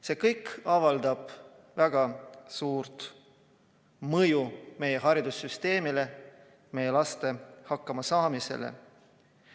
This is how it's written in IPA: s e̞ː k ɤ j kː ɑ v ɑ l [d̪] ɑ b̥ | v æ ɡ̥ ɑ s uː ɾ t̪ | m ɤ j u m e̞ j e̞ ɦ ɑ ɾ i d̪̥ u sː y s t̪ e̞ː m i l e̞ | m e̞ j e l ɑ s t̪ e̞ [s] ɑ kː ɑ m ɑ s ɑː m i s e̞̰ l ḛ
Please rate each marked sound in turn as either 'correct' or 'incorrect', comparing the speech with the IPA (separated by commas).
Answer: correct, incorrect